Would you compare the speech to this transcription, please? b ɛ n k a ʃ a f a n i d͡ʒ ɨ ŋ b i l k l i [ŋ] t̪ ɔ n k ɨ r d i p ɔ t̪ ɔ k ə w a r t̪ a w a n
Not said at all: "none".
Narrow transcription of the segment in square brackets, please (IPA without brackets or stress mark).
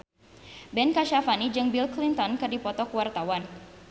n